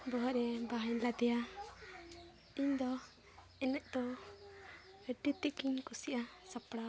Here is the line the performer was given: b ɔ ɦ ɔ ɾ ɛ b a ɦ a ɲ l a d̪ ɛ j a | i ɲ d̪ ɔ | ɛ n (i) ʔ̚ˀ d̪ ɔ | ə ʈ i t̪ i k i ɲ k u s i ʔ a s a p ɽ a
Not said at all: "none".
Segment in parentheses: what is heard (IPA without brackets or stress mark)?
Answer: ɛ